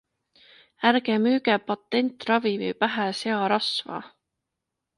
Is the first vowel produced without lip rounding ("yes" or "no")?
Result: yes